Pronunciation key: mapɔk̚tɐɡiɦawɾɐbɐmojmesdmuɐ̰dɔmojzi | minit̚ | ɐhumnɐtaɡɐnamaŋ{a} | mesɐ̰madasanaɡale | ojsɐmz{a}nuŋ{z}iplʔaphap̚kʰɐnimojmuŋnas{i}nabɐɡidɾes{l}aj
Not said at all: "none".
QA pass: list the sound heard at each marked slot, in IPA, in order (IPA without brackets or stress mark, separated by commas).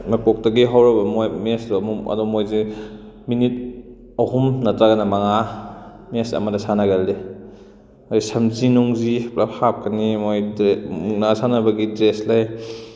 a, i, z, a, l